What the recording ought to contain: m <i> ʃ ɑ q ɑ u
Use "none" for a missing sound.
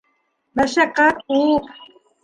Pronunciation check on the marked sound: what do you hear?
a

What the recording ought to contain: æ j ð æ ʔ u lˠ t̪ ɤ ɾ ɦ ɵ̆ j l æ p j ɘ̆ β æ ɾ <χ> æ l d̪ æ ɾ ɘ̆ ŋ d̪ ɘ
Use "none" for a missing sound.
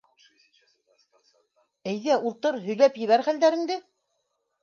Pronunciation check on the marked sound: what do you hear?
χ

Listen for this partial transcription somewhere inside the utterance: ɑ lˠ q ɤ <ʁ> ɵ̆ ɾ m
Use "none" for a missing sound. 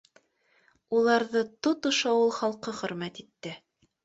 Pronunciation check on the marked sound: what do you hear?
χ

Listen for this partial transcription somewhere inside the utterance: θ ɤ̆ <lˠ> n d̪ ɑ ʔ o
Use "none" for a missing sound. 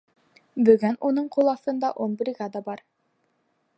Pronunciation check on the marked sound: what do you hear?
none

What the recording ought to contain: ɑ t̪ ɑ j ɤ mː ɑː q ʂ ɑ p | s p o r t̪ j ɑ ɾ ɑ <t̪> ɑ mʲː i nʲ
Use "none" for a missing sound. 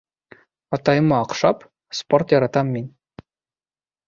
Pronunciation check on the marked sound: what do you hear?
t̪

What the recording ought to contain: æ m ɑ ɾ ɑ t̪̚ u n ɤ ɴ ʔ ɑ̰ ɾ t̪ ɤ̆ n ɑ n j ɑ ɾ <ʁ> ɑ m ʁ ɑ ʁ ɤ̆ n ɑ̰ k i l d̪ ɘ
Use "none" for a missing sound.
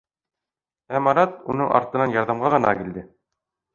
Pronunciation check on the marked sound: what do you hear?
ð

